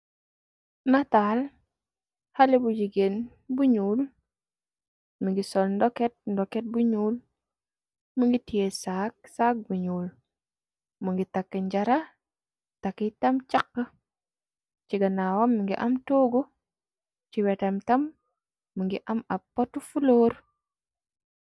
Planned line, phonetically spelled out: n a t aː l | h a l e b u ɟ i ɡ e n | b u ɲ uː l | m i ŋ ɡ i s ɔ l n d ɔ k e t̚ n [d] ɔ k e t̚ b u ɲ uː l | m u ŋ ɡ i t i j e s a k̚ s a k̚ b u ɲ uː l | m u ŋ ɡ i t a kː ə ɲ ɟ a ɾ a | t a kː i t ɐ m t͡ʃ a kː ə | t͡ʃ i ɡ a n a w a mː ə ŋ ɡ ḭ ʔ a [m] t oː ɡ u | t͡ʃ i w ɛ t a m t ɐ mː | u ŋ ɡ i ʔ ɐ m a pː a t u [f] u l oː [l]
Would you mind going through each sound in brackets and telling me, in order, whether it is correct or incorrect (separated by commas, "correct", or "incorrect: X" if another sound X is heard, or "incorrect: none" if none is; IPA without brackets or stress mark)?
correct, correct, correct, incorrect: ɾ